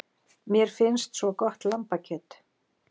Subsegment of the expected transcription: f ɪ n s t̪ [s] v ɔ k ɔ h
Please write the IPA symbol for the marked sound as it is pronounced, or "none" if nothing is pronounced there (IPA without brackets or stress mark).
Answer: s